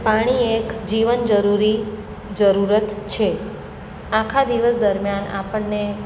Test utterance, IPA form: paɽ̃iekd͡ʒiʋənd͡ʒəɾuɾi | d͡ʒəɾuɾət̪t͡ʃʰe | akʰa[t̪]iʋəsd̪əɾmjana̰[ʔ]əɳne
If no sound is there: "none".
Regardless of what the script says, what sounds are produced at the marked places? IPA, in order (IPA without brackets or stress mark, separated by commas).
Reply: d̪, p